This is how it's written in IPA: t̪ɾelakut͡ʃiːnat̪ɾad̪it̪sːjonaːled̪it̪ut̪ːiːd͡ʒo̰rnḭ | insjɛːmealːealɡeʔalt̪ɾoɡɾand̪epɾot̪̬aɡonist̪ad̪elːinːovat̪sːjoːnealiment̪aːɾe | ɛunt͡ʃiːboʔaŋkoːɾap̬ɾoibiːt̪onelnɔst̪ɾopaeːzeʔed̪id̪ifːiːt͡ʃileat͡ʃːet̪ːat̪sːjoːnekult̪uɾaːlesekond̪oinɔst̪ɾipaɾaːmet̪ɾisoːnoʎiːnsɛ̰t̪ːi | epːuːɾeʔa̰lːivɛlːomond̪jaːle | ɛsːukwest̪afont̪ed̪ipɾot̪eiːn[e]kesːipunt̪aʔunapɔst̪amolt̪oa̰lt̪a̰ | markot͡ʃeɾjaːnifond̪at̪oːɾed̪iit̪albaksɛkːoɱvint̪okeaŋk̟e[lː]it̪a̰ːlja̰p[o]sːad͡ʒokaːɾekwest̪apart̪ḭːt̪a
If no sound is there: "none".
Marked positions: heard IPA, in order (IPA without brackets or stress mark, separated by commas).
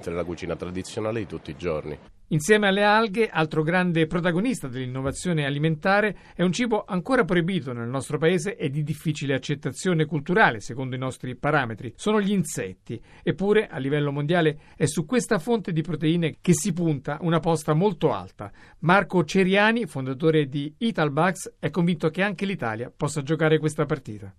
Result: e, l, ɔ